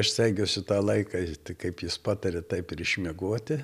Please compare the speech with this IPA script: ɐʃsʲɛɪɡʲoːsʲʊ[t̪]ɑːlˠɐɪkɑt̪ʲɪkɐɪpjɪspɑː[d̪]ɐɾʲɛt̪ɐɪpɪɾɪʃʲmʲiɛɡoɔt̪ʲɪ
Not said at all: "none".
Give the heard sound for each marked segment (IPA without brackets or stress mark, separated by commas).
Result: t̪, t̪